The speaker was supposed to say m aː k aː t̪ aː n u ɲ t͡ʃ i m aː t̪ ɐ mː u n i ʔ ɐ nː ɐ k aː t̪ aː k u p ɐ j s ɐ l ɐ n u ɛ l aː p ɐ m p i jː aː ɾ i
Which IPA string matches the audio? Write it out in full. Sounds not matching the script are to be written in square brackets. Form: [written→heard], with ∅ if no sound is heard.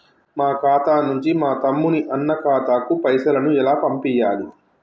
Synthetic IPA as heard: m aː k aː t̪ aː n u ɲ t͡ʃ i m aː t̪ ɐ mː u n i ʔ ɐ nː ɐ k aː t̪ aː k u p ɐ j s ɐ l ɐ n u ɛ l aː p ɐ m p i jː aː [ɾ→l] i